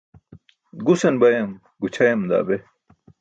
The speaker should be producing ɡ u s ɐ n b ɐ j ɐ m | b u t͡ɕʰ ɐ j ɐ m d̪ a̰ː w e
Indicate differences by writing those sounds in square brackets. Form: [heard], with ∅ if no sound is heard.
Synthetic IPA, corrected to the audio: ɡ u s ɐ n b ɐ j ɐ m | [ɡ] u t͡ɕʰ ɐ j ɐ m d̪ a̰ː [b] e